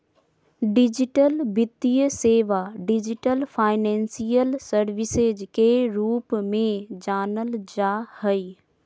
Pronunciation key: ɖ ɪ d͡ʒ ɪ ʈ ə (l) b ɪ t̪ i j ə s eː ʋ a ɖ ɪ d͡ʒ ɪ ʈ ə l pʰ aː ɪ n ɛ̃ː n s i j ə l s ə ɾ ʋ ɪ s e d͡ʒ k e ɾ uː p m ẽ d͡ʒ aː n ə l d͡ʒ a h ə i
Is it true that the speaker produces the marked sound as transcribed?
yes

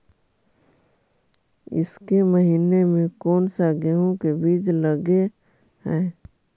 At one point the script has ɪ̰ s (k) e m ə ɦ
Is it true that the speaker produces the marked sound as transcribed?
yes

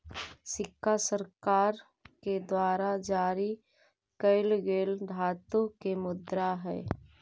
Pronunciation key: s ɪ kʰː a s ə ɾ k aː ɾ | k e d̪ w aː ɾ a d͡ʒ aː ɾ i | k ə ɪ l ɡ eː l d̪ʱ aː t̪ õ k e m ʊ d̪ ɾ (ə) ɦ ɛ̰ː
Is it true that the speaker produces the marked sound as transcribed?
no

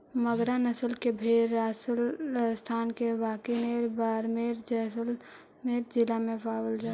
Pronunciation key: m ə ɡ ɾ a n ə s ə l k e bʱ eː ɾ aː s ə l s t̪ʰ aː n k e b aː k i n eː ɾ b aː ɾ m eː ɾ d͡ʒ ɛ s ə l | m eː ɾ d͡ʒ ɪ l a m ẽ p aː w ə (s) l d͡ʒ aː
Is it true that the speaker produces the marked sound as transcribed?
no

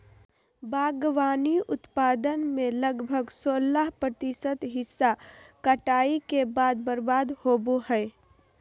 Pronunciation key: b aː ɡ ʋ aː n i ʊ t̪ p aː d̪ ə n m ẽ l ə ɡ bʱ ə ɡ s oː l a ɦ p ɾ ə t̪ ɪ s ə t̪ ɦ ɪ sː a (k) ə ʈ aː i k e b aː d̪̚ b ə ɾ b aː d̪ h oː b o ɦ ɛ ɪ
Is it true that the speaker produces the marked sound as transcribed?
yes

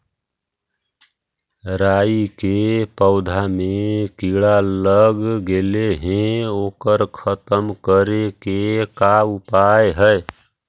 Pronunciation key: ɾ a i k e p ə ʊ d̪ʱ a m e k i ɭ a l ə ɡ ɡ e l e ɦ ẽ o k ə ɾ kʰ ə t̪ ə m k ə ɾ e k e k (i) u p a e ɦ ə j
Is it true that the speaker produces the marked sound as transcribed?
no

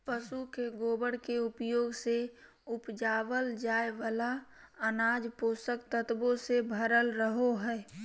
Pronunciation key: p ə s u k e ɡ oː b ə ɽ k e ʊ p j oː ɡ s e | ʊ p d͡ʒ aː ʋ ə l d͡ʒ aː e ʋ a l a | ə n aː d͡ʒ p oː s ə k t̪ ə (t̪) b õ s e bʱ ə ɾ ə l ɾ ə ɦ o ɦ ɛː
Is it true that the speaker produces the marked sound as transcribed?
yes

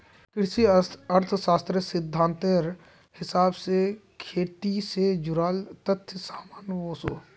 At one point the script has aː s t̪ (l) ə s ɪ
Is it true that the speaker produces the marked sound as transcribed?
no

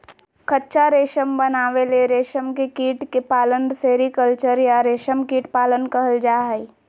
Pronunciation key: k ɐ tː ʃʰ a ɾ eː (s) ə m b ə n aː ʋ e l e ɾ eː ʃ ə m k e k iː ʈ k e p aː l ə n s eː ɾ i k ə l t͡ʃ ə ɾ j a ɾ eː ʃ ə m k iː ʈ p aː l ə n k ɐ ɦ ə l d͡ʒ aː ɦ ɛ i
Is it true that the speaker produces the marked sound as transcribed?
no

